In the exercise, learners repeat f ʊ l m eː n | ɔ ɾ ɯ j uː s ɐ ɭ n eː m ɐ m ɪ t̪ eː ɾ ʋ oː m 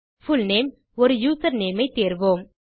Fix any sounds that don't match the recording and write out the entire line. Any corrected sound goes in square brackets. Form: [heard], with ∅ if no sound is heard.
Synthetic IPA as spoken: f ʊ l [n] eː [m] | ɔ ɾ ɯ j uː s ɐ [ɾ] n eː m ɐ [∅] ɪ t̪ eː ɾ ʋ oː m